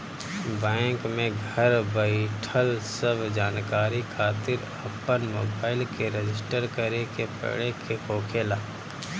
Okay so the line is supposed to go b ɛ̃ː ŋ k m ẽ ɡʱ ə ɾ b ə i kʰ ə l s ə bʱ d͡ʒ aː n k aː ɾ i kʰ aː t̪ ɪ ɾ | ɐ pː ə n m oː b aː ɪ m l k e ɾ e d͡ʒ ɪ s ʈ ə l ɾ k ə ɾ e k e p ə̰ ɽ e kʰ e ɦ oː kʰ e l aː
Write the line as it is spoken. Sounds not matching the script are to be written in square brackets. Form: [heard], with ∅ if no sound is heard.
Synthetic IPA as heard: b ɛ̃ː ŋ k m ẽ ɡʱ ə ɾ b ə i [ʈʰ] ə l s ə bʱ d͡ʒ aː n k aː ɾ i kʰ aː t̪ ɪ ɾ | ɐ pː ə n m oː b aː ɪ [∅] l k e ɾ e d͡ʒ ɪ s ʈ ə [∅] ɾ k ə ɾ e k e p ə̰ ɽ e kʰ e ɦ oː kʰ e l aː